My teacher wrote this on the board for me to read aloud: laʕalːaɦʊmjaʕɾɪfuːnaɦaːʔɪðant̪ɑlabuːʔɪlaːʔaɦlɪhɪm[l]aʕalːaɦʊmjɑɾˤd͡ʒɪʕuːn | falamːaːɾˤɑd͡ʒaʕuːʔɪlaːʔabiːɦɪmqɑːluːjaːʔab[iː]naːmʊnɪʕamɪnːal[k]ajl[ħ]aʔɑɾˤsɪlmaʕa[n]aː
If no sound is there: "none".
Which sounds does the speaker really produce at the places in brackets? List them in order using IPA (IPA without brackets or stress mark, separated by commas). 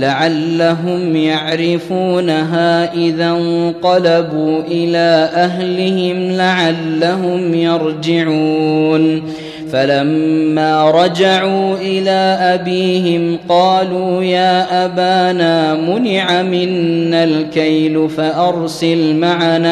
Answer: l, aː, k, f, n